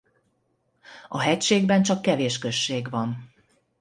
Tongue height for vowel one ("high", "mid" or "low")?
low